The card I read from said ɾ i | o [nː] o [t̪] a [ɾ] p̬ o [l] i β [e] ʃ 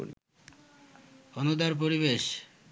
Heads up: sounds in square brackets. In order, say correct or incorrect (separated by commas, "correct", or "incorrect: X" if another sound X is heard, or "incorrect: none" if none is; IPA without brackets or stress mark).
incorrect: n, incorrect: d̪, correct, incorrect: ɾ, correct